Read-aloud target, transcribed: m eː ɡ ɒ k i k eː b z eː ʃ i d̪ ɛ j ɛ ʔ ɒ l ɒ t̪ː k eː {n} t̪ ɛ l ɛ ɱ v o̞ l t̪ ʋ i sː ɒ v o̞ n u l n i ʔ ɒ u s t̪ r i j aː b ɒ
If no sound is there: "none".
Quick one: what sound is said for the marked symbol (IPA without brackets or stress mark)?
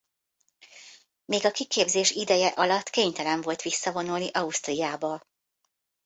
ɲ